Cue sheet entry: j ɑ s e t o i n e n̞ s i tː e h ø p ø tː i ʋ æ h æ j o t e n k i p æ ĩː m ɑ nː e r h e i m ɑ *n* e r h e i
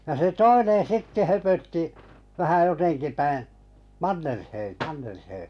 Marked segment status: incorrect: nː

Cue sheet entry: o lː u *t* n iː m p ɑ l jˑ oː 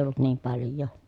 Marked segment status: correct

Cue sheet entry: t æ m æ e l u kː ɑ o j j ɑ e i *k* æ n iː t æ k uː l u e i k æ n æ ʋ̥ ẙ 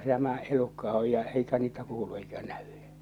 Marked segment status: correct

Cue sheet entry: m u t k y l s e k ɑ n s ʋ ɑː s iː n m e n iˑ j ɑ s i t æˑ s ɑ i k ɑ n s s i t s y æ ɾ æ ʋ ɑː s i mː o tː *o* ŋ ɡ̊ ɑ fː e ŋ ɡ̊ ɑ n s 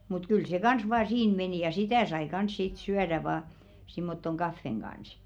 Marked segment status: correct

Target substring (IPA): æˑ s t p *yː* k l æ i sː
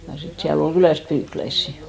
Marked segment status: correct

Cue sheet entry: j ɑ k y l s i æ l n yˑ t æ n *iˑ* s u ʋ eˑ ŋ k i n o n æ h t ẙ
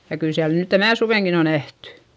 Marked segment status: incorrect: æˑ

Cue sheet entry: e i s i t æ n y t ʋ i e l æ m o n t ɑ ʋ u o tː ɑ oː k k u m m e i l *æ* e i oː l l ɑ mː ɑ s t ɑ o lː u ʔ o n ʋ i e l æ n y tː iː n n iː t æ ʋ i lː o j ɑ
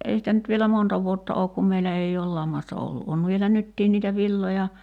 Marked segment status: correct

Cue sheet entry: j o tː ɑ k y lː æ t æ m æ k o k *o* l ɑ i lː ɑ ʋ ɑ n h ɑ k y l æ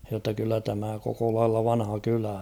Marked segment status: correct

